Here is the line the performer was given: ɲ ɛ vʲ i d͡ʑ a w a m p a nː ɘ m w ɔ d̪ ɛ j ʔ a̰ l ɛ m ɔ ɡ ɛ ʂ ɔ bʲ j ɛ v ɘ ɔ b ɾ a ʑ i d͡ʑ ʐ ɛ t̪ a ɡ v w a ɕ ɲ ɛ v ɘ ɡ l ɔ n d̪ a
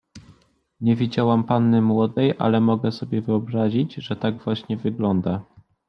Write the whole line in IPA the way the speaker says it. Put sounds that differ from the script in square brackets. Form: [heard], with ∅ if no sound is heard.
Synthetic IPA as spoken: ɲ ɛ vʲ i d͡ʑ a w a m p a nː ɘ m w ɔ d̪ ɛ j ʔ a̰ l ɛ m ɔ ɡ ɛ [s] ɔ bʲ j ɛ v ɘ ɔ b ɾ a ʑ i d͡ʑ ʐ ɛ t̪ a ɡ v w a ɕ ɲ ɛ v ɘ ɡ l ɔ n d̪ a